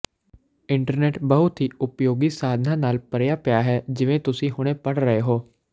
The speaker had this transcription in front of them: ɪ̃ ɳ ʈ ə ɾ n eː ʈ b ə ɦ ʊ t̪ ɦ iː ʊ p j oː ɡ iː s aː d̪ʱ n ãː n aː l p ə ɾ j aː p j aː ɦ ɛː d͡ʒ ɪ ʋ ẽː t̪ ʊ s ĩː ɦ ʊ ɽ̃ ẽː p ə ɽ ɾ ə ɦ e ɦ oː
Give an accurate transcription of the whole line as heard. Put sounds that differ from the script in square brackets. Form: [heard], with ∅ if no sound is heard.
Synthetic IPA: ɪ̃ ɳ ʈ ə ɾ n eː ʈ b ə ɦ ʊ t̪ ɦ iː ʊ p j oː ɡ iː s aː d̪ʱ n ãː n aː l p ə ɾ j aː p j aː ɦ ɛː d͡ʒ ɪ ʋ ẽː t̪ ʊ s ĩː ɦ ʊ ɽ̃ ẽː p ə ɽ ɾ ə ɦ e ɦ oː